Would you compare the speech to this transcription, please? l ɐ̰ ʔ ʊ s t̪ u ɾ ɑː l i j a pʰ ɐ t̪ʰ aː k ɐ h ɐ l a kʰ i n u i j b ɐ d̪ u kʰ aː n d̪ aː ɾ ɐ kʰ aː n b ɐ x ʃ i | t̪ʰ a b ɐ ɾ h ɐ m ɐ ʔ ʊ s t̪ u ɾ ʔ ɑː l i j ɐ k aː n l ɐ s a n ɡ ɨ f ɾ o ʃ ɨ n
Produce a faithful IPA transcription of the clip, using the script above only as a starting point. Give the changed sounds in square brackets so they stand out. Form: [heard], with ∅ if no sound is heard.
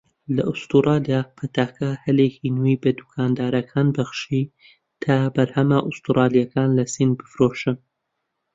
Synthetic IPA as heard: l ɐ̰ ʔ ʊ s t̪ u ɾ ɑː l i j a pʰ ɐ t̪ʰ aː k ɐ h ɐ l [e] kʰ i n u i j b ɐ d̪ u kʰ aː n d̪ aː ɾ ɐ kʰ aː n b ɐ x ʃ i | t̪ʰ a b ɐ ɾ h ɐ m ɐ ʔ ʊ s t̪ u ɾ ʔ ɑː l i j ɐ k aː n l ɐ s [i] n [b] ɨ f ɾ o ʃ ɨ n